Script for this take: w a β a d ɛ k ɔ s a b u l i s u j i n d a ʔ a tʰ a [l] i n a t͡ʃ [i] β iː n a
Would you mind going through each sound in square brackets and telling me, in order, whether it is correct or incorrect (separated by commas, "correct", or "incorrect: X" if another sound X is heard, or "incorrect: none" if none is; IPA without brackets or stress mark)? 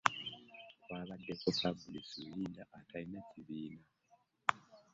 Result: incorrect: none, correct